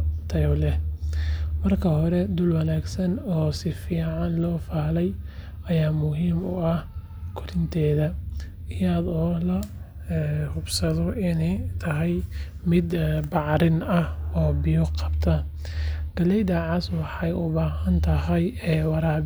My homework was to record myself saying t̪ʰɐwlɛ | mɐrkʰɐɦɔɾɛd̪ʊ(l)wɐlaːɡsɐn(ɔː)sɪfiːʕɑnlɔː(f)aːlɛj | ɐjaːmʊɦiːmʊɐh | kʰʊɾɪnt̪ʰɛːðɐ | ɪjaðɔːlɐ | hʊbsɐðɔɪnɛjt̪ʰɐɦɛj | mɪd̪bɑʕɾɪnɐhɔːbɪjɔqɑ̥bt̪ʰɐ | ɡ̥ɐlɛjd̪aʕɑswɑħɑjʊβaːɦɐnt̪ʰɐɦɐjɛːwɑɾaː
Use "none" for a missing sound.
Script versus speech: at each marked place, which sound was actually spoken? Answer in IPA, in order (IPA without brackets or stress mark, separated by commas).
l, ɔː, f